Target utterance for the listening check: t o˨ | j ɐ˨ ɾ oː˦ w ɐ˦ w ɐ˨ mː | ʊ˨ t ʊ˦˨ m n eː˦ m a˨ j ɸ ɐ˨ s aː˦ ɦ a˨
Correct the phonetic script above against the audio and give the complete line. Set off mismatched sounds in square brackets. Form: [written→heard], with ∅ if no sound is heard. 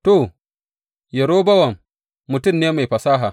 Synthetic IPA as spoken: t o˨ | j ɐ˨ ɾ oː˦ [w→b] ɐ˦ w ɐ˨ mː | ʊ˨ t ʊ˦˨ m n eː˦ m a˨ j ɸ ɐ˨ s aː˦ ɦ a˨